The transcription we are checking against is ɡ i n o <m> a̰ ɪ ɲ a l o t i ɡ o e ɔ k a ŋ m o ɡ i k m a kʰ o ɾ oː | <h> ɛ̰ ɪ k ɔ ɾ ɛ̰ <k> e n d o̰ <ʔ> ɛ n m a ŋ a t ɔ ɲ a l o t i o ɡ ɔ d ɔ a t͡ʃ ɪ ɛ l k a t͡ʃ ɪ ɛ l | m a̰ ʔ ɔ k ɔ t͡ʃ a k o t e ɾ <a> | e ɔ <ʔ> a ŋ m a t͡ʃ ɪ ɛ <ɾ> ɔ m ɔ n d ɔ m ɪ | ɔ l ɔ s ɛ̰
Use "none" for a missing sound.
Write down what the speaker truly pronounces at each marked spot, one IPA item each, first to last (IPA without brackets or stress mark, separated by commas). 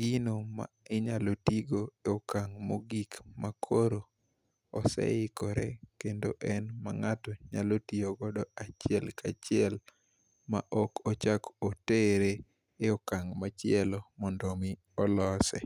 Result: m, s, k, ʔ, e, k, l